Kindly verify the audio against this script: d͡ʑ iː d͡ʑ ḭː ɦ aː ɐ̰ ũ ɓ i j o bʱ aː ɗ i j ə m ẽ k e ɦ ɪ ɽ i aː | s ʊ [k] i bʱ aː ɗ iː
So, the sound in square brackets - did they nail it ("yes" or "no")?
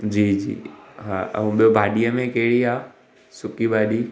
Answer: yes